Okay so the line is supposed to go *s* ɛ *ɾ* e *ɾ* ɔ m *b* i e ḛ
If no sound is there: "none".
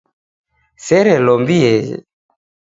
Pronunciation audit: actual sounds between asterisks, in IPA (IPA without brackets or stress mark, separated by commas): s, ɾ, l, b